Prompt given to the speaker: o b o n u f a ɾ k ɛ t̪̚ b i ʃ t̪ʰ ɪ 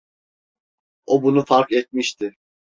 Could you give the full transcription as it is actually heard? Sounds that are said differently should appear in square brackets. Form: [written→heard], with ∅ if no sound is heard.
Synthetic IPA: o b [o→u] n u f a ɾ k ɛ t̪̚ [b→m] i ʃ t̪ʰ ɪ